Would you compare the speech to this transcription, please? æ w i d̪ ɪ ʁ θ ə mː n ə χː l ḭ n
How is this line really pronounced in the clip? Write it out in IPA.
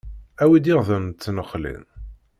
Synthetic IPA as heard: æ w i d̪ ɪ ʁ ð ə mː n ə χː l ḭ n

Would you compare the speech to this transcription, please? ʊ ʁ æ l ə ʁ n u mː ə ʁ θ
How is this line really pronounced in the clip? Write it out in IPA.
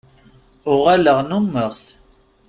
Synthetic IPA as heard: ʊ ʁ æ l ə ʁ n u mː ə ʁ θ

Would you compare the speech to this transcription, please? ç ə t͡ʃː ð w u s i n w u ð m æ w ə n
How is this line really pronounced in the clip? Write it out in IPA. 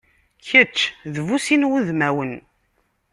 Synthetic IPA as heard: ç ə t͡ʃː ð v u s i n w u ð m æ w ə n

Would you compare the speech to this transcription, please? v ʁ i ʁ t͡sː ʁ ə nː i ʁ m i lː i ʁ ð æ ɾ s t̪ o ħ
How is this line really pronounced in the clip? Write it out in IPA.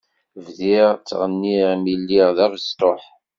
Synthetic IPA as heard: v ð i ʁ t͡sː ʁ ə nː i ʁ m i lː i ʁ ð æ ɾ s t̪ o ħ

